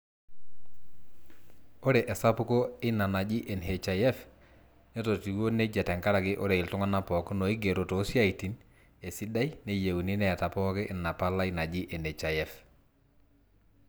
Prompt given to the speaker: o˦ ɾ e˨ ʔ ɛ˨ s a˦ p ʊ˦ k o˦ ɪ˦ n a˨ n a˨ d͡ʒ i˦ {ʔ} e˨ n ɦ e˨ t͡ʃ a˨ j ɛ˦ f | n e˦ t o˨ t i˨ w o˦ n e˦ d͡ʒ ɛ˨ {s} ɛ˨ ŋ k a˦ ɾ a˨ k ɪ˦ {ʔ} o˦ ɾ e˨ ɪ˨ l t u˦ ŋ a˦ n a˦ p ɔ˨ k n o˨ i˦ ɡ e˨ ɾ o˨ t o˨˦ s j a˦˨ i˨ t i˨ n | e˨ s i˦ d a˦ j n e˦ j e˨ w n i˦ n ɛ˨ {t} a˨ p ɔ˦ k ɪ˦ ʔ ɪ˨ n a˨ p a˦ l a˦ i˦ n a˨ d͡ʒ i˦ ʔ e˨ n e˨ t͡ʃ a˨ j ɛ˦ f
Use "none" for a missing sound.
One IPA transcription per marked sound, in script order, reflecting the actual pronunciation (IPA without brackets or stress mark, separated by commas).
ʔ, t, ʔ, t